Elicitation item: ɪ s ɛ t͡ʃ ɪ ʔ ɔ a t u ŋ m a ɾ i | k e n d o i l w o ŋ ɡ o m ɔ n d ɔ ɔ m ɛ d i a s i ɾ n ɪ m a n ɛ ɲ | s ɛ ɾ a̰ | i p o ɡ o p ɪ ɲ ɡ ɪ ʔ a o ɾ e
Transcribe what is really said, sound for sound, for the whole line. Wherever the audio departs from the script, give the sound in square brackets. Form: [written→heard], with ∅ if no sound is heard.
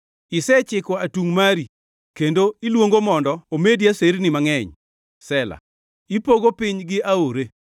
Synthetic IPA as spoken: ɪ s ɛ t͡ʃ ɪ [ʔ→k] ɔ a t u ŋ m a ɾ i | k e n d o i l w o ŋ ɡ o m ɔ n d ɔ [ɔ→o] m [ɛ→e] d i a s [i→e] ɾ n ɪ m a [n→ŋ] ɛ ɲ | s ɛ [ɾ→l] a̰ | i p o ɡ o p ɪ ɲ ɡ ɪ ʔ a o ɾ e